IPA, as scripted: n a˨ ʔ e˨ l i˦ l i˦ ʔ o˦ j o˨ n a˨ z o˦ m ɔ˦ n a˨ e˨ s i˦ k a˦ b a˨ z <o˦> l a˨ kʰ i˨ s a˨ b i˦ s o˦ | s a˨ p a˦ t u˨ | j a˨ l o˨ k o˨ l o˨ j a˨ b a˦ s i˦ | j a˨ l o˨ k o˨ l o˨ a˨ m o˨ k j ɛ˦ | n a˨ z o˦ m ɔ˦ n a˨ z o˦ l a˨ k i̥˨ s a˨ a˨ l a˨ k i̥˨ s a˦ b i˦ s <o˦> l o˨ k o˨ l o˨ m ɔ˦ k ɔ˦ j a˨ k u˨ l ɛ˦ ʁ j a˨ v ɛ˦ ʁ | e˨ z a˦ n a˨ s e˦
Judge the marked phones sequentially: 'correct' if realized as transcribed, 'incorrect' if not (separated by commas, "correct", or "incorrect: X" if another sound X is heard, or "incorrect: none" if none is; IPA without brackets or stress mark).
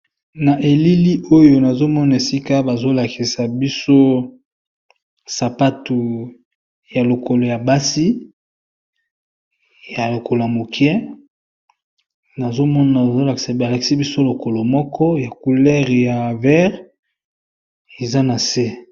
correct, correct